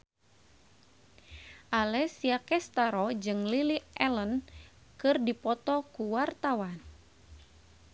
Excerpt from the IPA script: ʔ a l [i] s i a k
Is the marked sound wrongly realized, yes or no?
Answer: yes